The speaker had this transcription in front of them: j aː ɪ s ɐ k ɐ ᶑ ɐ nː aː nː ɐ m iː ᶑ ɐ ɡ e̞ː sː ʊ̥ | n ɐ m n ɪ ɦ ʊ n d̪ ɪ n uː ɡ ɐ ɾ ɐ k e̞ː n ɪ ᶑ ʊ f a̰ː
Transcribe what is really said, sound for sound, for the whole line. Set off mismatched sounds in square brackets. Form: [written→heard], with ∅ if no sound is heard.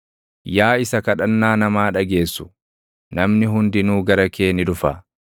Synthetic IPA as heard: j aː ɪ s ɐ k ɐ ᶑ ɐ nː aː [nː→n] ɐ m [iː→aː] ᶑ ɐ ɡ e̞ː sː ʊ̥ | n ɐ m n ɪ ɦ ʊ n d̪ ɪ n uː ɡ ɐ ɾ ɐ k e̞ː n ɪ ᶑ ʊ f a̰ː